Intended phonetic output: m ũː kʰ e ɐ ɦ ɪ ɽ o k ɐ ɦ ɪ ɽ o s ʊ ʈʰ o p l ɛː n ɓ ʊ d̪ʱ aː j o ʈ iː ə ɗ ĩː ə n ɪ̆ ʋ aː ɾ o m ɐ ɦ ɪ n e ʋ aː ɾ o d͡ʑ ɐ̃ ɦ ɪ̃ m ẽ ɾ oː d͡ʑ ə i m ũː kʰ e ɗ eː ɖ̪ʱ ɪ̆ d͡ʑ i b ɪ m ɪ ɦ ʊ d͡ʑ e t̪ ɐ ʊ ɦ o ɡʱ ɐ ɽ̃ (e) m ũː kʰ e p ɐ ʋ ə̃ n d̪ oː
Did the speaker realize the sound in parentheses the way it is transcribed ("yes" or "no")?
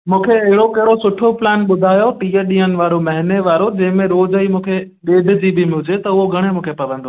yes